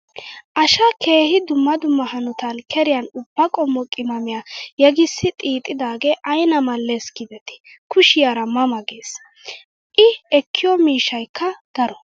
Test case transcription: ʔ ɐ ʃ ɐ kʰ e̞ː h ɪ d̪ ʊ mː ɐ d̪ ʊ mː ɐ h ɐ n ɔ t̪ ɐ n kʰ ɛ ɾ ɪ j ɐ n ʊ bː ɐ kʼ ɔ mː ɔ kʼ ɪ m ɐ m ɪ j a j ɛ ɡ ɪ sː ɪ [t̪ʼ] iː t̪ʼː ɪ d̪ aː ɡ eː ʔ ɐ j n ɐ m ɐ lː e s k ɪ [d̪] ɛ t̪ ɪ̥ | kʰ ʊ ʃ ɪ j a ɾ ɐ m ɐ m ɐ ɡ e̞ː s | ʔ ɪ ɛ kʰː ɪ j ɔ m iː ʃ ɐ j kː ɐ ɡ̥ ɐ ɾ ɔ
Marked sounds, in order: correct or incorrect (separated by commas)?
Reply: correct, correct